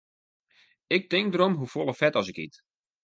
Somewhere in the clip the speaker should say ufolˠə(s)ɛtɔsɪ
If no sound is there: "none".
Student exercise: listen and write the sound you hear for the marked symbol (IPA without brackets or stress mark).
f